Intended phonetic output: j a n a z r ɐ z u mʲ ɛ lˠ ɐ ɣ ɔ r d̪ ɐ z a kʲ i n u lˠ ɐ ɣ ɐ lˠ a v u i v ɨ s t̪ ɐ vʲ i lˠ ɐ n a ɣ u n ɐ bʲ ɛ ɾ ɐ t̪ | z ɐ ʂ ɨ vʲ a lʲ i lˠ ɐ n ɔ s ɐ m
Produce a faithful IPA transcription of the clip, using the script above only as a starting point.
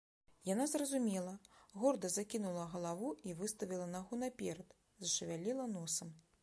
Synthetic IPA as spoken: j a n a z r ɐ z u mʲ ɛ lˠ ɐ ɣ ɔ r d̪ ɐ z a kʲ i n u lˠ ɐ ɣ ɐ lˠ a v u i v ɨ s t̪ ɐ vʲ i lˠ ɐ n a ɣ u n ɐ pʲ ɛ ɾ ɐ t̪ | z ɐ ʂ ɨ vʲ a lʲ i lˠ ɐ n ɔ s ɐ m